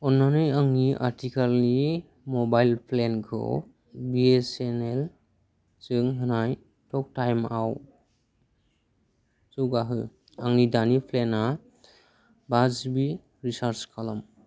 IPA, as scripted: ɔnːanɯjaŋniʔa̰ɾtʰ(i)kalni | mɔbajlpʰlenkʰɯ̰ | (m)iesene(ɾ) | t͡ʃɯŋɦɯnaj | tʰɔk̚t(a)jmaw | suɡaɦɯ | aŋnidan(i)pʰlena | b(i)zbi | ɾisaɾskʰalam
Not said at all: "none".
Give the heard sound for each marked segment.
i, b, l, a, i, a

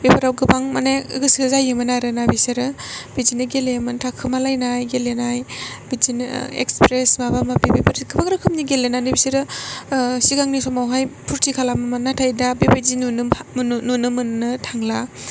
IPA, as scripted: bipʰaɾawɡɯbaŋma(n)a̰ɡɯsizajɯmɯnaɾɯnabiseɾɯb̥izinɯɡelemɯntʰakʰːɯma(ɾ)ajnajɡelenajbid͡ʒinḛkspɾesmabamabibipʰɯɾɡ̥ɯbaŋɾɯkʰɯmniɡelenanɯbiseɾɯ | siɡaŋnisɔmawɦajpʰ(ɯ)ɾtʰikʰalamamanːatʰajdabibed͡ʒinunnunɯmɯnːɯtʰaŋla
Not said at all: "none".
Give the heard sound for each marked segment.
n, l, u

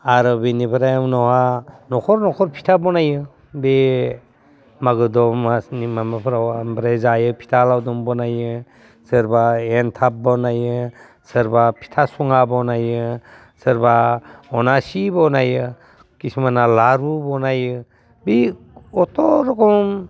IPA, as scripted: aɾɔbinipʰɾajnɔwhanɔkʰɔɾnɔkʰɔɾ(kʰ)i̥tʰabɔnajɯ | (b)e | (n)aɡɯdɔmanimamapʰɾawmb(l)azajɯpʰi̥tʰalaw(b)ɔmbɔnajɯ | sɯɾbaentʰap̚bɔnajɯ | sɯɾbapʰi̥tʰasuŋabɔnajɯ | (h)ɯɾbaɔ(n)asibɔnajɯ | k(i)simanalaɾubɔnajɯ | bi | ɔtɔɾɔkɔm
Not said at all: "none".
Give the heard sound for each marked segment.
pʰ, b, m, ɾ, d, s, n, i

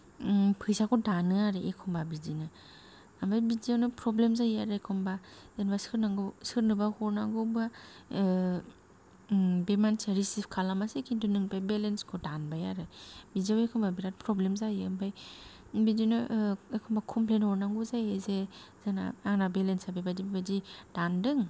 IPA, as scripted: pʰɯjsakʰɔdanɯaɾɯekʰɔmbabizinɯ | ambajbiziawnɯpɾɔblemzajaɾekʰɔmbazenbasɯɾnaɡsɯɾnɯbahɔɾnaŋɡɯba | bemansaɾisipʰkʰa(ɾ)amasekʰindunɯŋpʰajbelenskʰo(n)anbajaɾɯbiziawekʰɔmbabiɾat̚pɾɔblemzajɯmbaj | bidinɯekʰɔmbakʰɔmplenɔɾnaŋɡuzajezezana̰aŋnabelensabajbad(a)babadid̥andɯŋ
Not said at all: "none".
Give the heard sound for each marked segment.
l, d, i

